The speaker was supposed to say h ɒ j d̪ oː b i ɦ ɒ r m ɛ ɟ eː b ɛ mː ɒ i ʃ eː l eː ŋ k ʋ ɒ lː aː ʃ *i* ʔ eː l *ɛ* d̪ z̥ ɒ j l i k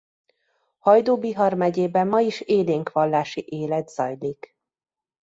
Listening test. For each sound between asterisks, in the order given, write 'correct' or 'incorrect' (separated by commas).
correct, correct